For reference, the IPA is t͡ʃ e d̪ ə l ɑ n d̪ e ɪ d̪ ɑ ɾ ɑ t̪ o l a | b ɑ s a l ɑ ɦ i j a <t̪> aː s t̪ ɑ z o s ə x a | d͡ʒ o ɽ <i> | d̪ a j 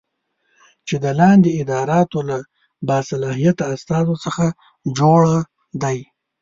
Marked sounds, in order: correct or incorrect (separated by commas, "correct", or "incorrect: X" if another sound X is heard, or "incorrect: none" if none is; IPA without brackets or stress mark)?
correct, incorrect: a